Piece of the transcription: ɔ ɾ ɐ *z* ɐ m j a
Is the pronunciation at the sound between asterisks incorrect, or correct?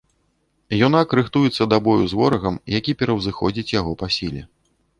incorrect: ɣ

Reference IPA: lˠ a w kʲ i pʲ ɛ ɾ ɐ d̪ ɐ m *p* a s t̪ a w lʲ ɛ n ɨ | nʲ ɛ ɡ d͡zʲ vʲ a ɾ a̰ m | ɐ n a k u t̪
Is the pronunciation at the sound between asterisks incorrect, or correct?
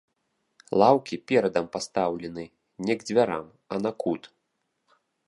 correct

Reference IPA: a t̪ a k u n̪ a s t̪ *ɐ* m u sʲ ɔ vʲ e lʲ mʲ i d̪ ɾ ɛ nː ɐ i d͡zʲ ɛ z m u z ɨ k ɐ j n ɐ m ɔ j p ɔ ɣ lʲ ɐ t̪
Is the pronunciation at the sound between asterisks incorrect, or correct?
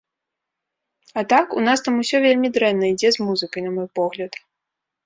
incorrect: a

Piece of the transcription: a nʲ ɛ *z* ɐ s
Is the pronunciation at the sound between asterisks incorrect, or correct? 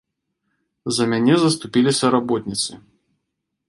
correct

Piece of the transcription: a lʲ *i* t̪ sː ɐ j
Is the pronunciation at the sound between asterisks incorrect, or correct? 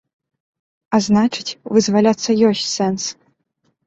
incorrect: a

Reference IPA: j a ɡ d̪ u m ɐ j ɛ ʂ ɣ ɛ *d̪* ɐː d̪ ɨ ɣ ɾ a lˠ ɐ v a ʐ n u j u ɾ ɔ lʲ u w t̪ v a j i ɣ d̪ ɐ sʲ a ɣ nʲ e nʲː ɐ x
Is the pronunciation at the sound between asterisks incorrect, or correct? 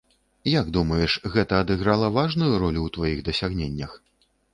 incorrect: t̪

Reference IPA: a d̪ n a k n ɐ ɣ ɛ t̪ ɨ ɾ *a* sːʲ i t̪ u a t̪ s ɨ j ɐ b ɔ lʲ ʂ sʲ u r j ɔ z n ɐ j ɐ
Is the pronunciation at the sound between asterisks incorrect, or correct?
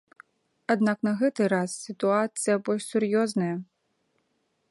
correct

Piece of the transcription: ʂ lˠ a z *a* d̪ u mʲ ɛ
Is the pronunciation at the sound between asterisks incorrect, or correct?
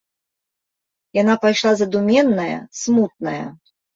incorrect: ɐ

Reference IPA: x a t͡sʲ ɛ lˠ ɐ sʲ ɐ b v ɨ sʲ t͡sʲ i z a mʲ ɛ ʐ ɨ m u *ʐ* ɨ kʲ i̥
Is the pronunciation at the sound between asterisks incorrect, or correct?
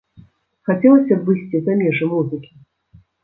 incorrect: z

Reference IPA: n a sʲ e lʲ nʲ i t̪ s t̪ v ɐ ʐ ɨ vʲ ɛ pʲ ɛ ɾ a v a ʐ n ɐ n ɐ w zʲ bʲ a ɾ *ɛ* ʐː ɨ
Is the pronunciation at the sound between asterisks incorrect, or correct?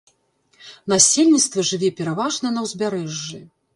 correct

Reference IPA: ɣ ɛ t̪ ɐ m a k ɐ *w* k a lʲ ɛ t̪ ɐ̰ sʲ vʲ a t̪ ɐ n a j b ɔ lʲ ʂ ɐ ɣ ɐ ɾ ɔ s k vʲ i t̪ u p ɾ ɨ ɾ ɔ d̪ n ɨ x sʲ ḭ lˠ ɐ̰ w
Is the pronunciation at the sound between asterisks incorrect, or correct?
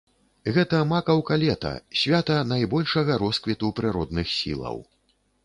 correct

